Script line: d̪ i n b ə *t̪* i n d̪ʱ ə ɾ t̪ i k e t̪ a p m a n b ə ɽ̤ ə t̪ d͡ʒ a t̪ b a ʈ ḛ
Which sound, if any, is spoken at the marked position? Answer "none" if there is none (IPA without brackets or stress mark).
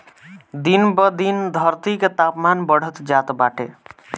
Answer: d̪